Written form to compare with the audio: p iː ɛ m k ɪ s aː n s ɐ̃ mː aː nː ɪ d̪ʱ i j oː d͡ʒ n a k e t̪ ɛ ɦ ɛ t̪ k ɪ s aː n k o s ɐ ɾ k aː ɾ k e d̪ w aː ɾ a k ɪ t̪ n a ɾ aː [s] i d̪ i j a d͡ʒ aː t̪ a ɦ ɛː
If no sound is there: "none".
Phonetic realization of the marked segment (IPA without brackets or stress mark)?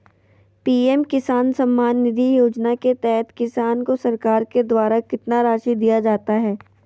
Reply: ʃ